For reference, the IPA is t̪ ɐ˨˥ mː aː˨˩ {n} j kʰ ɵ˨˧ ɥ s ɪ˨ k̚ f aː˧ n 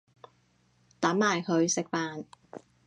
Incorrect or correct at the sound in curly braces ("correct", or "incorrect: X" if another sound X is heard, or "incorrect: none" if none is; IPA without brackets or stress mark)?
incorrect: none